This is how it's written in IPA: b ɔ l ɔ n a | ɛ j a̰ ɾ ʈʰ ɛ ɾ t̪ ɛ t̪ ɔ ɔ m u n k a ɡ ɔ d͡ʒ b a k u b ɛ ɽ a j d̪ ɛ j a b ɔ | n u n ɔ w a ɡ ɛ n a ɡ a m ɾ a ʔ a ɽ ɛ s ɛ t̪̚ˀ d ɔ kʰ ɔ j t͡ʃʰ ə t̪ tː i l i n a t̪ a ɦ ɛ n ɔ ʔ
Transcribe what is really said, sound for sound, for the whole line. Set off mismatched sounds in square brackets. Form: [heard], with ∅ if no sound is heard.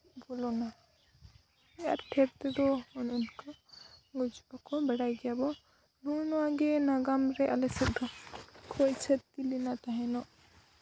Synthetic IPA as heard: b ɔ l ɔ n a | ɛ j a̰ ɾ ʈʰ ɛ ɾ t̪ ɛ [d̪] ɔ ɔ [n] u n k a ɡ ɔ d͡ʒ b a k [ɔ] b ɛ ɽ a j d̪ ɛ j a b ɔ | n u n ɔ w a ɡ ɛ n a ɡ a m ɾ [ɛ] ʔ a [l] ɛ s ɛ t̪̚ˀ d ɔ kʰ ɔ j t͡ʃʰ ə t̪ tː i l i n a t̪ a ɦ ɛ n ɔ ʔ